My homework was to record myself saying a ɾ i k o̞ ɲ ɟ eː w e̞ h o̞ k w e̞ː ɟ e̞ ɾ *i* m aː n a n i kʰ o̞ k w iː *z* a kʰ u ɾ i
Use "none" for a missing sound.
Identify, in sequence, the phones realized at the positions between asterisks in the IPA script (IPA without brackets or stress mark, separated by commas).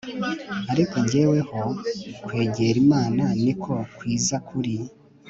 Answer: i, z